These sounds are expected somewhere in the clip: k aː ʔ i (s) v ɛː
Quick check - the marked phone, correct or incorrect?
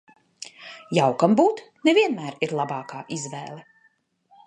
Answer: incorrect